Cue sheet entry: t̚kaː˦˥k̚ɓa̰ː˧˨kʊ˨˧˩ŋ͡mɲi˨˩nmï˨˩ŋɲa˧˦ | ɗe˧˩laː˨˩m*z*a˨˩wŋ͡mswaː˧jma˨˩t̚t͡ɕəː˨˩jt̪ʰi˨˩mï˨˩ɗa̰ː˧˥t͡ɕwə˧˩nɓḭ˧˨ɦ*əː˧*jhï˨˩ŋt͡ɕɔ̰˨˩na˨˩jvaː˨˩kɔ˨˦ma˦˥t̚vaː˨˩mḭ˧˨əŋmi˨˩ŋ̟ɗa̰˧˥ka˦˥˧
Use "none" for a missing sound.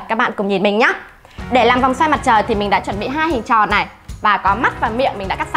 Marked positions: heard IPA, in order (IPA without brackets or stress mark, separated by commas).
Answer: v, aː˧